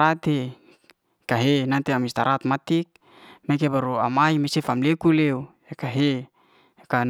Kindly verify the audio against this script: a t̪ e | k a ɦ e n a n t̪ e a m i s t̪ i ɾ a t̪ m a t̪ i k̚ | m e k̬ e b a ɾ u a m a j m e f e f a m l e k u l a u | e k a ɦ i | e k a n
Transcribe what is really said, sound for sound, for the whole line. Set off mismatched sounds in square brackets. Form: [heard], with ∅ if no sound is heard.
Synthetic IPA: a t̪ e | k a ɦ e n a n t̪ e a m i s t̪ [a] ɾ a t̪ m a t̪ i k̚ | m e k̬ e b a ɾ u a m a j m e [s] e f a m l e k u l [e] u | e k a ɦ [e] | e k a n